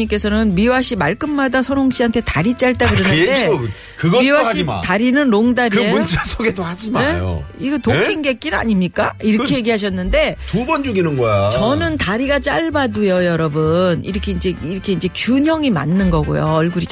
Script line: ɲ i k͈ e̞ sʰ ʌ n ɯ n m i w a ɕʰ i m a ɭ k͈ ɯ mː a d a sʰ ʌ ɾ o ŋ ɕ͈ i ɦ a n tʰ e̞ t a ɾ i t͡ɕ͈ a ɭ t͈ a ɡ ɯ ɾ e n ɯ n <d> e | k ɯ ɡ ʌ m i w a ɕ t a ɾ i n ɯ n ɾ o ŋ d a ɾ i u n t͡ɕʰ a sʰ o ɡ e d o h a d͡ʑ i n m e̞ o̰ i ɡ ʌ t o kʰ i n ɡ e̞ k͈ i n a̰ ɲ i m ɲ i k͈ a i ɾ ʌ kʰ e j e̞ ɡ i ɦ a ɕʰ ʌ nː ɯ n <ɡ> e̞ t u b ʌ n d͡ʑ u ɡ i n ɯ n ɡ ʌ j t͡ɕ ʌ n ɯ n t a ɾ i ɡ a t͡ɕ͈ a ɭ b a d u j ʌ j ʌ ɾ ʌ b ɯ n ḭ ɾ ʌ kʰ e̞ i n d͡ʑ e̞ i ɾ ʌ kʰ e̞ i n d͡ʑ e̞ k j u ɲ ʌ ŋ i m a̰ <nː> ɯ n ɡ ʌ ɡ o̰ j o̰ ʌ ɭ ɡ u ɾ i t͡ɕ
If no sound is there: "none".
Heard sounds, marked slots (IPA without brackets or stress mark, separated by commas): d, d, nː